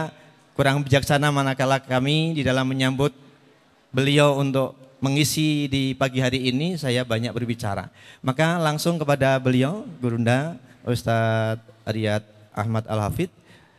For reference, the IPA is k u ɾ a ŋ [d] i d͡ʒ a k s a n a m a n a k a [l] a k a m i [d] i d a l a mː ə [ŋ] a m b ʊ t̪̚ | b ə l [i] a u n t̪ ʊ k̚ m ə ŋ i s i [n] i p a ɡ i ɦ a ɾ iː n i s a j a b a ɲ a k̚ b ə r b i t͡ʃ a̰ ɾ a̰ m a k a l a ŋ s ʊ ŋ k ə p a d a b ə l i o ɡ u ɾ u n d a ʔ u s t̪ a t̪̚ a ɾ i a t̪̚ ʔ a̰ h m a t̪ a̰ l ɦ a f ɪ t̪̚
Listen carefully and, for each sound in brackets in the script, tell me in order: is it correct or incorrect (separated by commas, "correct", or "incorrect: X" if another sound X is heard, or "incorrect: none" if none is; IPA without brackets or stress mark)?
incorrect: b, correct, correct, incorrect: ɲ, correct, incorrect: d